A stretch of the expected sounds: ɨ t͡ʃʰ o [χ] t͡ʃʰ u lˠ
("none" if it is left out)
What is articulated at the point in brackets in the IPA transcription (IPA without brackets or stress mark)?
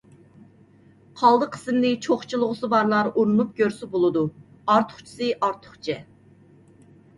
χ